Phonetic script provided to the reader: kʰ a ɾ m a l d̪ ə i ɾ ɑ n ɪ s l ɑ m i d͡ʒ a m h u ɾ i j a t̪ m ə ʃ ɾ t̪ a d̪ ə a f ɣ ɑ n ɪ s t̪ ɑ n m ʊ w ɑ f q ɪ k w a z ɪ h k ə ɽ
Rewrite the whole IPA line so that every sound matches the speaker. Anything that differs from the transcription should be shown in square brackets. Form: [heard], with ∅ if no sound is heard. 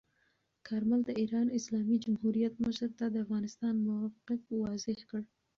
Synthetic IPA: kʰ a ɾ m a l d̪ ə i ɾ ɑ n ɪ s l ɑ m i d͡ʒ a m h u ɾ i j a t̪ m ə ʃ ɾ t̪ a d̪ ə a f ɣ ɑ n ɪ s t̪ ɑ n m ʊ w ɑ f q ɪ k w [ɑ] z ɪ h k ə ɽ